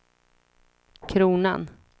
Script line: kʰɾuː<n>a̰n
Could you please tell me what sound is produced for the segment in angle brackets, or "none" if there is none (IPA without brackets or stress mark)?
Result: n